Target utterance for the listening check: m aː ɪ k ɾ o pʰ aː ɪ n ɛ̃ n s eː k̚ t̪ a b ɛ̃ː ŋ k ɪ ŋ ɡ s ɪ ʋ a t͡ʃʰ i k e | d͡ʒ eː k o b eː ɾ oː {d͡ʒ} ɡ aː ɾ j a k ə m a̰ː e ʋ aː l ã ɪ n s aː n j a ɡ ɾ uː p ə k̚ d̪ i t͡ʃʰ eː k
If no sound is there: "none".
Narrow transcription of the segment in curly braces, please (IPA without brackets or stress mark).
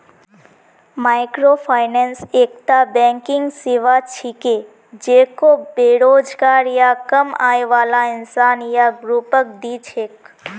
d͡ʒ